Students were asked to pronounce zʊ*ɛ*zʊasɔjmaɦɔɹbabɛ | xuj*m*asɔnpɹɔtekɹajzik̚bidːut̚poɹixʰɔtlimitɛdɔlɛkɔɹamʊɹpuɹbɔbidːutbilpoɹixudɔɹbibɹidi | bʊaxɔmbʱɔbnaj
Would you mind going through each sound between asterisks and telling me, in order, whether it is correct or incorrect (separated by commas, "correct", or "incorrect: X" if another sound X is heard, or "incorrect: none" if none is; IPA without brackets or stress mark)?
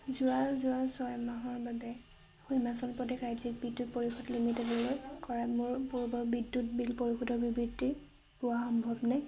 incorrect: a, correct